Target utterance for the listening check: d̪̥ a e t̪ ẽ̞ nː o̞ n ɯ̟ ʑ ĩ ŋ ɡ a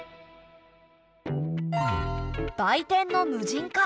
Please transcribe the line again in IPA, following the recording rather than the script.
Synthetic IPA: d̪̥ a i t̪ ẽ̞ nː o̞ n ɯ̟ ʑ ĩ ŋ k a